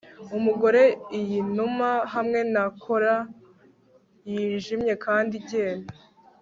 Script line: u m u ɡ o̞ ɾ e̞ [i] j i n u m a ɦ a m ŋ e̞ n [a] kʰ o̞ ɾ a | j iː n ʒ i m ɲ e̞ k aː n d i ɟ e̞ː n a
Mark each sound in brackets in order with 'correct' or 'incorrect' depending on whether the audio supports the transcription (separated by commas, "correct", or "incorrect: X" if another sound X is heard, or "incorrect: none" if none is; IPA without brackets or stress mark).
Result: correct, correct